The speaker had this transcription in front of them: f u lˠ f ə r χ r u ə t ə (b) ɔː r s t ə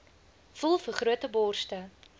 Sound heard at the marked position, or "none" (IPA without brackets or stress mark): b